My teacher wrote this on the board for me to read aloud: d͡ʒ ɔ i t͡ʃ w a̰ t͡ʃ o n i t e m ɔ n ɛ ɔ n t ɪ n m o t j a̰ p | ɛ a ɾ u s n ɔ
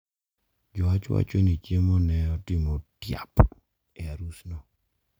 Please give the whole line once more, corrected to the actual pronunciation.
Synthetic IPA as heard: d͡ʒ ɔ a t͡ʃ w a̰ t͡ʃ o n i t͡ʃ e m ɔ n ɛ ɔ t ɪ m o t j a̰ p | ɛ a ɾ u s n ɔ